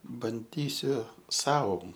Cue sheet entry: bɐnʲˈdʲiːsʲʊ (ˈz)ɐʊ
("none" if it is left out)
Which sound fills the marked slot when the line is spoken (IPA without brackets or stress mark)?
s